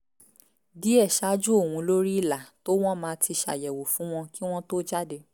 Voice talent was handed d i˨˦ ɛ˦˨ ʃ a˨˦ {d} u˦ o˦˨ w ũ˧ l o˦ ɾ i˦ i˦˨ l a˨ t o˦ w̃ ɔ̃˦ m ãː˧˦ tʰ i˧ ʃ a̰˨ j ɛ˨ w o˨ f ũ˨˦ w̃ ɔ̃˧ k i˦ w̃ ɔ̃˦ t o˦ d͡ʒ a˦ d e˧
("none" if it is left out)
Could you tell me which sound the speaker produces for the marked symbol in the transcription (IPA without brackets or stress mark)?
d͡ʒ